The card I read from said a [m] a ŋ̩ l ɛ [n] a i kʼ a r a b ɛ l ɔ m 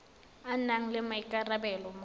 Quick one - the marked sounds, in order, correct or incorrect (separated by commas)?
incorrect, incorrect